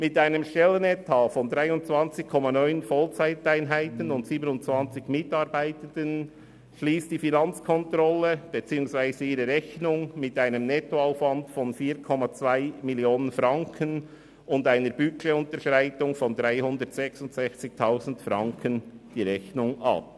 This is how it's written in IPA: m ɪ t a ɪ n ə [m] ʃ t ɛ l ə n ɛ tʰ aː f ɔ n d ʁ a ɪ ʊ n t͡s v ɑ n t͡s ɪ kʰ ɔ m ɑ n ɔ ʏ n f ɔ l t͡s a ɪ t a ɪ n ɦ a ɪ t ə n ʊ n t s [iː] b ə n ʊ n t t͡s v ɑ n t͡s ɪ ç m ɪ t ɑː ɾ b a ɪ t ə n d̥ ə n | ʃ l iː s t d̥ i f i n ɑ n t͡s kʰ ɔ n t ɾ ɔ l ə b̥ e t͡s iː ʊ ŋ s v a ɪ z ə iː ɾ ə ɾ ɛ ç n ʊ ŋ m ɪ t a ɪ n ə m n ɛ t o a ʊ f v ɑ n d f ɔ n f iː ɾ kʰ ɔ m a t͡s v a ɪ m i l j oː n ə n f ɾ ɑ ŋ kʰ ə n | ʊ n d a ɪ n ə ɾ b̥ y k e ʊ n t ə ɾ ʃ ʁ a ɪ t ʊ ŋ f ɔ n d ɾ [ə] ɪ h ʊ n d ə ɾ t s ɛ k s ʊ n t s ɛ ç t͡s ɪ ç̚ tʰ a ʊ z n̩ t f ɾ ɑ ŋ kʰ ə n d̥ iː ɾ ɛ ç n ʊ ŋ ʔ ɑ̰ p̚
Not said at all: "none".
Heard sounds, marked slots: m, iː, a

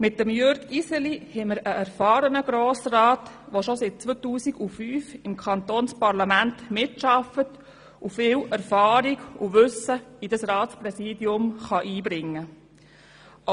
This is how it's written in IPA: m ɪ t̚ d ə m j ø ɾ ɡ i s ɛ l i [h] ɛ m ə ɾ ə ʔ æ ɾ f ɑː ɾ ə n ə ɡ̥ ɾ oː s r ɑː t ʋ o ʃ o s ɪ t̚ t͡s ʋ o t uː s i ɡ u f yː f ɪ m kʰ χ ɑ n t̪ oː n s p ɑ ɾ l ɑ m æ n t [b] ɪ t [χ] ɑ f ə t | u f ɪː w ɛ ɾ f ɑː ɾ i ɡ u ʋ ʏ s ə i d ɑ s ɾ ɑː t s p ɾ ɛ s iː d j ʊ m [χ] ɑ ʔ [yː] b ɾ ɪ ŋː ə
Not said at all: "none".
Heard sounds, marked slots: h, m, ʃ, χ, iː

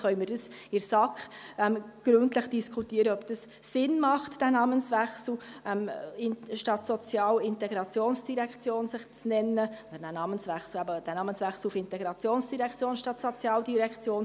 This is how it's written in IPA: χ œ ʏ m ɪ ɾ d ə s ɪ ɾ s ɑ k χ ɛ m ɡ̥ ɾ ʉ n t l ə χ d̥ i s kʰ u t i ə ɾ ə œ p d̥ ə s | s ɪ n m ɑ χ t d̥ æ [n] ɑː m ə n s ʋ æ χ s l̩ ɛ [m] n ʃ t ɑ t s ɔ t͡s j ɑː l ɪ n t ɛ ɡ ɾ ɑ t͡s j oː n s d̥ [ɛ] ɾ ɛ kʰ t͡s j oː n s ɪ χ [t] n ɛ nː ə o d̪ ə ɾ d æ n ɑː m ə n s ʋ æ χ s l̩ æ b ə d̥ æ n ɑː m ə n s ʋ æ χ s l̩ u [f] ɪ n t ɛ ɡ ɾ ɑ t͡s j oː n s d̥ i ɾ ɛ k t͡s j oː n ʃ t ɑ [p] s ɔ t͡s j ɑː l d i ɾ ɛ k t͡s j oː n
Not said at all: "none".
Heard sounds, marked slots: n, m, i, t͡s, f, t

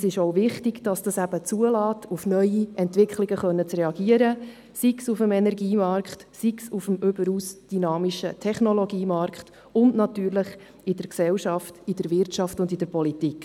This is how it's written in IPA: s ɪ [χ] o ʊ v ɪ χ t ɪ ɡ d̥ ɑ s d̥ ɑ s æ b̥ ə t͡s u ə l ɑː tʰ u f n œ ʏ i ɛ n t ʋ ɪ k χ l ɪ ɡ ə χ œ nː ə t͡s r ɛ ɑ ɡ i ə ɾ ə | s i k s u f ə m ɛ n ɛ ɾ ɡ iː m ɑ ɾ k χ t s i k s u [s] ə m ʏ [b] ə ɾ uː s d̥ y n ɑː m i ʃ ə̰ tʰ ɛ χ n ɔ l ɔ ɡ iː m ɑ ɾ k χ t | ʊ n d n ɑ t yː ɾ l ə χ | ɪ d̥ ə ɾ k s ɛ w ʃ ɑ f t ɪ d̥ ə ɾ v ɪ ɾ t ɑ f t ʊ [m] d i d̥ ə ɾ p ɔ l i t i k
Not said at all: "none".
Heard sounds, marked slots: ʃ, f, b, n

